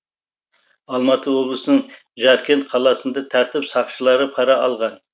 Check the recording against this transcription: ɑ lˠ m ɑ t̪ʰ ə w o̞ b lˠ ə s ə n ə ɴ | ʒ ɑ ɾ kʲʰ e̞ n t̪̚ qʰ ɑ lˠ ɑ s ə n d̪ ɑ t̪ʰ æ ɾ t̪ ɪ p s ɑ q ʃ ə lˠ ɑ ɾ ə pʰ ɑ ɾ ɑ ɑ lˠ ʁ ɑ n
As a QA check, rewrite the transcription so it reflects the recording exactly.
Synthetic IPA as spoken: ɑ lˠ m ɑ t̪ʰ ə w o̞ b lˠ ə s ə n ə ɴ | ʒ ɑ ɾ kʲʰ e̞ n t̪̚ qʰ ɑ lˠ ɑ s ə n d̪ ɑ t̪ʰ æ ɾ t̪ ɪ p s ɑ q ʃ ə lˠ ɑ ɾ ə pʰ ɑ ɾ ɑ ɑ lˠ ʁ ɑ n